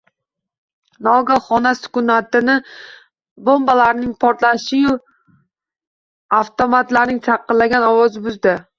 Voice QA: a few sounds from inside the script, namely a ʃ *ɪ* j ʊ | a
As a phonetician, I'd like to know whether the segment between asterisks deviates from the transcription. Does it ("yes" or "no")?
no